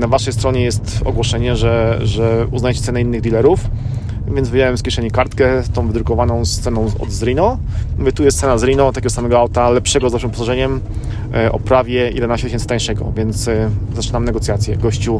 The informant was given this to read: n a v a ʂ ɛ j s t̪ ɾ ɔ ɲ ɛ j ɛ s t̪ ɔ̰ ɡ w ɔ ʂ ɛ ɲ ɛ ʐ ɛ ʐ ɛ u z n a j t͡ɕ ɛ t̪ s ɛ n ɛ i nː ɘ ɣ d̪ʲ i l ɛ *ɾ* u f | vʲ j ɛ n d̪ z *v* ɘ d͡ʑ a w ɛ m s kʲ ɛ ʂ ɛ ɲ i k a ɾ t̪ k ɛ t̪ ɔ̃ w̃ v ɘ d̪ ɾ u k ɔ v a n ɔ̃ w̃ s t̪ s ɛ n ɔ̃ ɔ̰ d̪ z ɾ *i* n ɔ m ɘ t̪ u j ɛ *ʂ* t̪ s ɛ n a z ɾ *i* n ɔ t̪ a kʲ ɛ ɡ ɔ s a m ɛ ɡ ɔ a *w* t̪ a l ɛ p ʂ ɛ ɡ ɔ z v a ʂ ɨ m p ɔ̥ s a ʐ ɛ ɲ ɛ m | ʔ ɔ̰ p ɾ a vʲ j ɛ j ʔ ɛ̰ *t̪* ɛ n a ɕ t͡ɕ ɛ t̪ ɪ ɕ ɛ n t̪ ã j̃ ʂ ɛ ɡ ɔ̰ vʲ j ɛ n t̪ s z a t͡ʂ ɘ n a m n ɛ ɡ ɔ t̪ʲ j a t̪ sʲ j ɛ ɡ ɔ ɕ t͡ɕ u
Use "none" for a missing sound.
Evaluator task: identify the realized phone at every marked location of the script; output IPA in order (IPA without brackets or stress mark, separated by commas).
ɾ, v, i, s, i, w, d̪